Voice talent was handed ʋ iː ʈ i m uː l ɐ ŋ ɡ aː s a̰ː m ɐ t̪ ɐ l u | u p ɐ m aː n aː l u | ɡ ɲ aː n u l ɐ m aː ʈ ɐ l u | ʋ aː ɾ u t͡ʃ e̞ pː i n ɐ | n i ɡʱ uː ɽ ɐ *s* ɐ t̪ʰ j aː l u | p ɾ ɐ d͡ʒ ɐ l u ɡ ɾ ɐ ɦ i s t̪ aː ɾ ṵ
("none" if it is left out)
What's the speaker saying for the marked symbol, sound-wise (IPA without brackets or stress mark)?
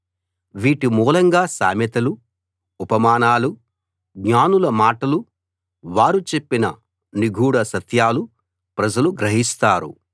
s